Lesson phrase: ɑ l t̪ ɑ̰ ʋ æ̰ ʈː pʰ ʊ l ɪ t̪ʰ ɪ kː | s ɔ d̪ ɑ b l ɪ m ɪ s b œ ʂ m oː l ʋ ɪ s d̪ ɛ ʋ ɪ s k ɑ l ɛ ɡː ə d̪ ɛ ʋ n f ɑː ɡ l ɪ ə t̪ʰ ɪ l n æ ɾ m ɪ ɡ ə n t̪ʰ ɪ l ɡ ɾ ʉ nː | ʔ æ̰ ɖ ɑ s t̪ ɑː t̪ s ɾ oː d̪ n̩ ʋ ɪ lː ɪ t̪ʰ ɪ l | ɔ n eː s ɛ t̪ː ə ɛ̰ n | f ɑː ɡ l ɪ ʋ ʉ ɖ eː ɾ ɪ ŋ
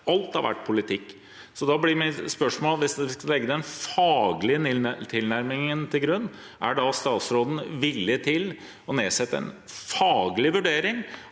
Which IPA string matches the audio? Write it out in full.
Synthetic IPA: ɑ l t̪ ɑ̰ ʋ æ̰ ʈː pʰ ʊ l ɪ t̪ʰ ɪ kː | s ɔ d̪ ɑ b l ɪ m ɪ s p œ ʂ m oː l ʋ ɪ s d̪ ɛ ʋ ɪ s k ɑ l ɛ ɡː ə d̪ ɛ n f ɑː ɡ l ɪ ə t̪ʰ ɪ l n æ ɾ m ɪ ŋ ə n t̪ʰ ɪ l ɡ ɾ ʉ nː | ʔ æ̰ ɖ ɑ s t̪ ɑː t̪ s ɾ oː d̪ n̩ ʋ ɪ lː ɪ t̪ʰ ɪ l | ɔ n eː s ɛ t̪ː ə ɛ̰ n | f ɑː ɡ l ɪ ʋ ʉ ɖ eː ɾ ɪ ŋ